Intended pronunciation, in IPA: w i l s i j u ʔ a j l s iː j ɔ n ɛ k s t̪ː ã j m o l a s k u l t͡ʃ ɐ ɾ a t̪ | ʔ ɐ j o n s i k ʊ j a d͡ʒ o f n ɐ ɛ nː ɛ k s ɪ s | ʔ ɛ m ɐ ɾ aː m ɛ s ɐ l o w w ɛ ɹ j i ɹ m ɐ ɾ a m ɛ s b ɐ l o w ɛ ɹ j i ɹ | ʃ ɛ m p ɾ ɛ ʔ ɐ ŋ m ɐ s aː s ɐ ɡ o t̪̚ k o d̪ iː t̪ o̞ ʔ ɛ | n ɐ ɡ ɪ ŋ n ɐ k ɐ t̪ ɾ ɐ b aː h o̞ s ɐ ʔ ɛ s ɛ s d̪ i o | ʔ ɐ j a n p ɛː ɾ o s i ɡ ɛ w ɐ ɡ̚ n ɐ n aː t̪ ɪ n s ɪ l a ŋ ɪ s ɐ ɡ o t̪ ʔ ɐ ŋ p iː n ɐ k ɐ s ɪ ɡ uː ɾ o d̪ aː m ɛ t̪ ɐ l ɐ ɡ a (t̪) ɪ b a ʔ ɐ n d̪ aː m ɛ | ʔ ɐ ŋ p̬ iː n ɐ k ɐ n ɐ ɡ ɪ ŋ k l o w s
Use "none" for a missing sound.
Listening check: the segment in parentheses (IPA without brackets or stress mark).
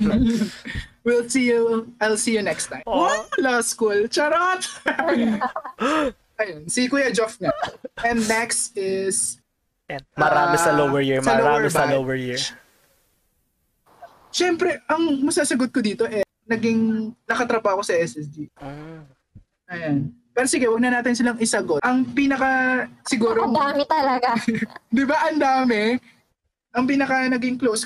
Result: d̪